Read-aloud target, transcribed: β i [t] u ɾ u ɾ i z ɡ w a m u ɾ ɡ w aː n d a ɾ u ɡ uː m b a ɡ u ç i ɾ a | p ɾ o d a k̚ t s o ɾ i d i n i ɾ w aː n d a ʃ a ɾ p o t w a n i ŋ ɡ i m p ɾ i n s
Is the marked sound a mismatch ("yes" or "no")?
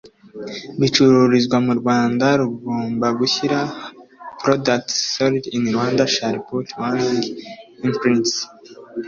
yes